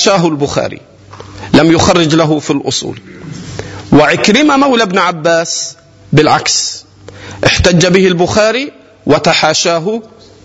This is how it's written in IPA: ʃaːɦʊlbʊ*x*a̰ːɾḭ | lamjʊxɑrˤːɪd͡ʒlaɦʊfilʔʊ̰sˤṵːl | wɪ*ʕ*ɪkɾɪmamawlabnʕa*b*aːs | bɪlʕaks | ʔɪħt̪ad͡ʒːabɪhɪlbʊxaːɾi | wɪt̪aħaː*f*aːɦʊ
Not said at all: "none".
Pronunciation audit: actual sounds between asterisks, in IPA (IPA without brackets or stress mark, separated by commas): x, ʕ, bː, ʃ